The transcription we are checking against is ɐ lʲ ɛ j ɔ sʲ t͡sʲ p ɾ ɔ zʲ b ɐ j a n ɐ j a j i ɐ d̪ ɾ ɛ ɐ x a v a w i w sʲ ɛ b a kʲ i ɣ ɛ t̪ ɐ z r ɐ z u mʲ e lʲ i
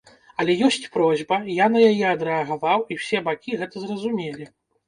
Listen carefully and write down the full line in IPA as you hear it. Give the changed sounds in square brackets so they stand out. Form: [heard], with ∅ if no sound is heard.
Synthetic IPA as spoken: ɐ lʲ ɛ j ɔ sʲ t͡sʲ p ɾ ɔ zʲ b ɐ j a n ɐ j a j [ɛ] ɐ d̪ ɾ ɛ ɐ [ɣ] a v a w i w sʲ ɛ b a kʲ i ɣ ɛ t̪ ɐ z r ɐ z u mʲ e lʲ i